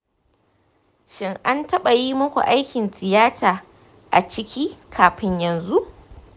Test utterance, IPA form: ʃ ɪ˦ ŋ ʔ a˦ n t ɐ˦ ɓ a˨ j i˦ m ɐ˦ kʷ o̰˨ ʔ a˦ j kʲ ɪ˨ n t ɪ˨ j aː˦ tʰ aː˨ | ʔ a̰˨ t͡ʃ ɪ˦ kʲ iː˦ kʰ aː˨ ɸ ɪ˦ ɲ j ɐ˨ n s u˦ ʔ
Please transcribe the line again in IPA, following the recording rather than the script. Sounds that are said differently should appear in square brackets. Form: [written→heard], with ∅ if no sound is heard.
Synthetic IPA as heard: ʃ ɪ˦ ŋ ʔ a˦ n t ɐ˦ ɓ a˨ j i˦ m ɐ˦ kʷ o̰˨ ʔ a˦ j kʲ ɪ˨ n t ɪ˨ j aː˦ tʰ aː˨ | ʔ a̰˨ t͡ʃ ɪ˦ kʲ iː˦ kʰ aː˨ ɸ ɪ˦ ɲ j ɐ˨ n [s→z] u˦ ʔ